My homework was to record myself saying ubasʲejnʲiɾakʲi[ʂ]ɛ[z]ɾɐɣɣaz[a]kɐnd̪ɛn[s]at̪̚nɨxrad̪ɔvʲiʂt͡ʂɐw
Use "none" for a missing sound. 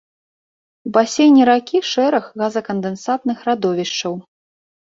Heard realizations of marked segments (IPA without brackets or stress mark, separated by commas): ʂ, none, ɐ, s